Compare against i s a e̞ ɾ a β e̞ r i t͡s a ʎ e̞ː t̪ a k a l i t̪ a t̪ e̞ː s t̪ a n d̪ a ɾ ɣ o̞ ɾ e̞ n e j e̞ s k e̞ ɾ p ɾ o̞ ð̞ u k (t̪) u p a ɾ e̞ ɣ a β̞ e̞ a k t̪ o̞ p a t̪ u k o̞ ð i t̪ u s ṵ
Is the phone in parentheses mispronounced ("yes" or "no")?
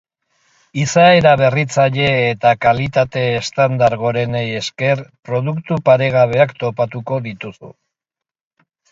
no